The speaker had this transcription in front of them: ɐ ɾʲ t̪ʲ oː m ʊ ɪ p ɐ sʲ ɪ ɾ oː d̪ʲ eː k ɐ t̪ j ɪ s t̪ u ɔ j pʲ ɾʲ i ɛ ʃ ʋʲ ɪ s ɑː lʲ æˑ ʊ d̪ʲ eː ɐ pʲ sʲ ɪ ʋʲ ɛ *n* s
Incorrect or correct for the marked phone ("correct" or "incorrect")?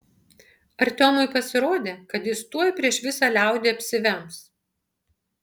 incorrect